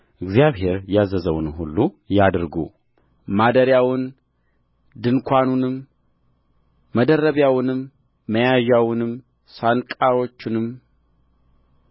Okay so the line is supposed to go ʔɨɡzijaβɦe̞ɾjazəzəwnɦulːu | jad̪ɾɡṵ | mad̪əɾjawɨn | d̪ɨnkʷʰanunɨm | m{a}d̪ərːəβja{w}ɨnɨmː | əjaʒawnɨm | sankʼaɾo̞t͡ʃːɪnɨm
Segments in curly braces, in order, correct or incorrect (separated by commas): incorrect, correct